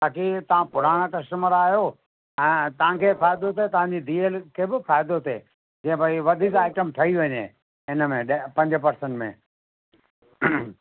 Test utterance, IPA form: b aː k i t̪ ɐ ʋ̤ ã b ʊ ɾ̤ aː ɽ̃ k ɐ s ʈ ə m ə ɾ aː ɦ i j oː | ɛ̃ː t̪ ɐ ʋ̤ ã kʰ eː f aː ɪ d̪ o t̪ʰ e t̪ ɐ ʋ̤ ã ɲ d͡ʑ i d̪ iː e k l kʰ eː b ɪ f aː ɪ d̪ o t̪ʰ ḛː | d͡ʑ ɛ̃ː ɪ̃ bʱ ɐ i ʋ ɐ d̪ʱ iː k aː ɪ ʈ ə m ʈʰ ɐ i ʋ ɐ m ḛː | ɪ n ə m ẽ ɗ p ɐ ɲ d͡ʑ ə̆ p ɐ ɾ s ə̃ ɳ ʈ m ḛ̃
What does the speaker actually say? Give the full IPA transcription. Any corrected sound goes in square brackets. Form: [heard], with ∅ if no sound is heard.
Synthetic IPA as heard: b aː k i t̪ ɐ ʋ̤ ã [p] ʊ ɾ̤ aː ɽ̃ k ɐ s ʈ ə m ə ɾ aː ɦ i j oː | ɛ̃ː t̪ ɐ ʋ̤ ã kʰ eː f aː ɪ d̪ o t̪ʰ e t̪ ɐ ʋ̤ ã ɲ d͡ʑ i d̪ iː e [∅] l kʰ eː b ɪ f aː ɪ d̪ o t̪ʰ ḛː | d͡ʑ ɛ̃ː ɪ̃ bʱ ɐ i ʋ ɐ d̪ʱ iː k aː ɪ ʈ ə m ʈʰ ɐ i ʋ ɐ [ɲ] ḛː | ɪ n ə m ẽ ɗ p [ɐ̃] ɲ d͡ʑ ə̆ p ɐ ɾ s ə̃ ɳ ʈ m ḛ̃